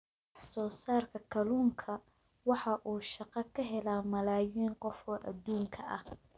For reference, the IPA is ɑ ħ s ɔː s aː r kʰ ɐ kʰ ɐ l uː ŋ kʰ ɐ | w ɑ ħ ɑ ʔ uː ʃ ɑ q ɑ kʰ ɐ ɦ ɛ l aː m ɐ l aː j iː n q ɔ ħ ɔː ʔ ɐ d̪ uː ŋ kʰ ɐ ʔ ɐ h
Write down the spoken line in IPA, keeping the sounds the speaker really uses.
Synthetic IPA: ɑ ħ s ɔː s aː r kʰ ɐ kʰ ɐ l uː ŋ kʰ ɐ | w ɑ ħ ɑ ʔ uː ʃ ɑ q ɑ kʰ ɐ ɦ ɛ l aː m ɐ l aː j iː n q ɔ f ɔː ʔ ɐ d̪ uː ŋ kʰ ɐ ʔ ɐ h